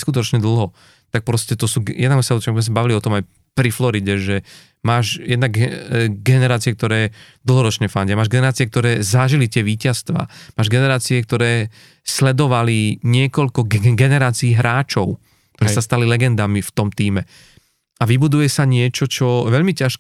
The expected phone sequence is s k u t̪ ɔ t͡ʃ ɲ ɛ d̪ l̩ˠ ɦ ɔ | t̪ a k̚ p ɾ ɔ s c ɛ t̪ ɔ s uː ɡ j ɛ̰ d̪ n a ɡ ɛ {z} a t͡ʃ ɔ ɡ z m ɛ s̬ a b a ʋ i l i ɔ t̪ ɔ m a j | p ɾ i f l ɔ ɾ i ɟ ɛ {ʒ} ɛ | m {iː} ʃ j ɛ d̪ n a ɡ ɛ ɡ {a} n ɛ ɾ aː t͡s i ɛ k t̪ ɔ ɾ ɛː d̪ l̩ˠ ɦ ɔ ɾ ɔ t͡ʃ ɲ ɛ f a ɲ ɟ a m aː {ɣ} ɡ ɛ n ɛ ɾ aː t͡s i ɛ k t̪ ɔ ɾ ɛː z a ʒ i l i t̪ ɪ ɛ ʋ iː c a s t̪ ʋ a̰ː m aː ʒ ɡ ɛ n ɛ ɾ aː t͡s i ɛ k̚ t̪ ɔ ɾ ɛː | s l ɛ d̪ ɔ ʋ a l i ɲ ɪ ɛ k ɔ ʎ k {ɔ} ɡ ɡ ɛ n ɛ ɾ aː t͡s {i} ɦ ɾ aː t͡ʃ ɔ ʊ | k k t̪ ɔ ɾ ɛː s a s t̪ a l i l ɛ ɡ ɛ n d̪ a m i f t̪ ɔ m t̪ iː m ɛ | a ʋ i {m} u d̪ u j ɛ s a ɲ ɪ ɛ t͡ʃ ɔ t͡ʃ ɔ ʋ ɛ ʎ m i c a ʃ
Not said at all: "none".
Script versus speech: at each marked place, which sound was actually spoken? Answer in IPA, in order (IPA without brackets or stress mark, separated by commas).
s, ʒ, aː, ɛ, ʒ, ɔ, iː, b